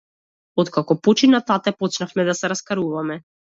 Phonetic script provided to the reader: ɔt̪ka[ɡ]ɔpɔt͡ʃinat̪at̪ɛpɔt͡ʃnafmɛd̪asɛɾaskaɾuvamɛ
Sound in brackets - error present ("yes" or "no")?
yes